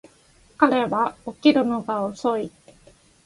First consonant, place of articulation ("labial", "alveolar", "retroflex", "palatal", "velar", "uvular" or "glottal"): velar